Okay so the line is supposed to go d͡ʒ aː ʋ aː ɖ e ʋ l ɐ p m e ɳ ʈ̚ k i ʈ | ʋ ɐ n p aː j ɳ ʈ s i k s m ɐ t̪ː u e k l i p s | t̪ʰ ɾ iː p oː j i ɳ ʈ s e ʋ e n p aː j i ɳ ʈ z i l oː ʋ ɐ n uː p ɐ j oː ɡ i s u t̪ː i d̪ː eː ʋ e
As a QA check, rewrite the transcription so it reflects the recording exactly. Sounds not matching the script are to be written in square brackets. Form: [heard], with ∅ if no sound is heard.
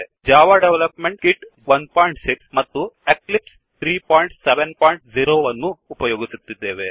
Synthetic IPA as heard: d͡ʒ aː ʋ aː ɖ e ʋ l ɐ p m e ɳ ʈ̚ k i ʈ | ʋ ɐ n p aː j ɳ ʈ s i k s m ɐ t̪ː u e k l i p s | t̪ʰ ɾ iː p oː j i ɳ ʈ s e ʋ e n p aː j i ɳ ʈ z i [ɾ] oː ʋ ɐ [nː] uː p ɐ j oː ɡ i s u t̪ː i d̪ː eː ʋ e

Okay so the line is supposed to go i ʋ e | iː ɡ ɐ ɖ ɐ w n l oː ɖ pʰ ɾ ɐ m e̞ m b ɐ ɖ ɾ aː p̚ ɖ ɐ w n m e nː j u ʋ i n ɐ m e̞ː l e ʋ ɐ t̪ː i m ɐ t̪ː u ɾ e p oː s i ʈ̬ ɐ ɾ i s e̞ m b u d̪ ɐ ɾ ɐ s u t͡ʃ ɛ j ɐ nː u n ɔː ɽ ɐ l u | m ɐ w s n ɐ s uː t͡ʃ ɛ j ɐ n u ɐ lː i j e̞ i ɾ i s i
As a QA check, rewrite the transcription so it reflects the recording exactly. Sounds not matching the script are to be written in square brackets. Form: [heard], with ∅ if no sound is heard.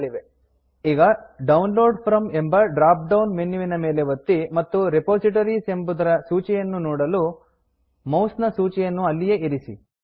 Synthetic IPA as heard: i ʋ e | iː ɡ ɐ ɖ ɐ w n l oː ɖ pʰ ɾ ɐ m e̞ m b ɐ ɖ ɾ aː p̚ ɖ ɐ w n m e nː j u ʋ i n ɐ m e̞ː l e ʋ ɐ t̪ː i m ɐ t̪ː u ɾ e p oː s i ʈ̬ ɐ ɾ i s e̞ m b u d̪ ɐ ɾ ɐ s [uː] t͡ʃ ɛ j ɐ nː u n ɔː ɽ ɐ l u | m ɐ w s n ɐ s uː t͡ʃ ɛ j ɐ [nː] u ɐ lː i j e̞ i ɾ i s i

